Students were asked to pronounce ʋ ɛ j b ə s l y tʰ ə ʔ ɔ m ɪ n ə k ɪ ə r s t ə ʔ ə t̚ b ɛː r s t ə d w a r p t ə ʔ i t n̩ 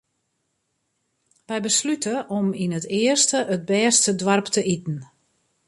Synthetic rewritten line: ʋ ɛ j b ə s l y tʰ ə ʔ ɔ m i n ə t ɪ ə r s t ə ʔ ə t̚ b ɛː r s t ə d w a r p t ə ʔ i t n̩